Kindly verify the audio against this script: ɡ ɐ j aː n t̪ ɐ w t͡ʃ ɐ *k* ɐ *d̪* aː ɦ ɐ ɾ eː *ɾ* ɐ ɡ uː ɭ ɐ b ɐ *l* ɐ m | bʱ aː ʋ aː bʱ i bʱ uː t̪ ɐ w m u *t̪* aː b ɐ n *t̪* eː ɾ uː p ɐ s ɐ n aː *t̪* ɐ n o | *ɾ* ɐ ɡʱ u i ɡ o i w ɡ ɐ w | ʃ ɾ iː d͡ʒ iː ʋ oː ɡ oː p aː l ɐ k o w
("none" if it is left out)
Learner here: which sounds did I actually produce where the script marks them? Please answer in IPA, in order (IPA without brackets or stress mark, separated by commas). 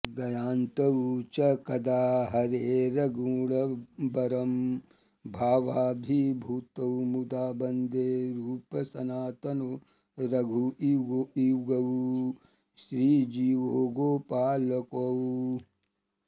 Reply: k, d̪, ɾ, ɾ, d̪, d̪, t̪, ɾ